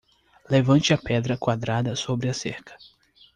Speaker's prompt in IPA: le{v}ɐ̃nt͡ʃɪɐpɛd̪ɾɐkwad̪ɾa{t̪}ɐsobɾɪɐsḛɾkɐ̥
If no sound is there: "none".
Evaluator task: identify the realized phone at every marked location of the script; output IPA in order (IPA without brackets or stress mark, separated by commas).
v, d̪